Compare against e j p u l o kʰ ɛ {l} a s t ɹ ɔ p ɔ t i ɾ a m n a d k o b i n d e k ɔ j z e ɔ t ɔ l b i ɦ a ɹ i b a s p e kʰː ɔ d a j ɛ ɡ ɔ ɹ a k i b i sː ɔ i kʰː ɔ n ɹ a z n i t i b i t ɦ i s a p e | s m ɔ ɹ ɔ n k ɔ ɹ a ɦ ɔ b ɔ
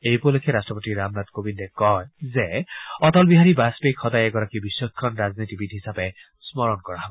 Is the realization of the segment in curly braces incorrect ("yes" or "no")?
yes